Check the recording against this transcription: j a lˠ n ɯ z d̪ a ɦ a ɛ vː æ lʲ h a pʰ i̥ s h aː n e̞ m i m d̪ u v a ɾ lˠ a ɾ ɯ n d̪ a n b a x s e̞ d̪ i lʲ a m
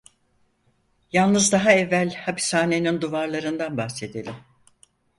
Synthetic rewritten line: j a lˠ n ɯ z d̪ a ɦ a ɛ vː æ lʲ h a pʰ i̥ s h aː n e̞ n i n d̪ u v a ɾ lˠ a ɾ ɯ n d̪ a n b a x s e̞ d̪ e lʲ i m